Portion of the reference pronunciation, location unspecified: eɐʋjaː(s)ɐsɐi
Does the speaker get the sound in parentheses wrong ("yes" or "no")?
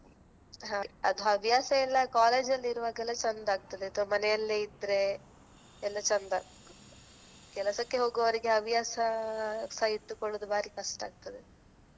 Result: no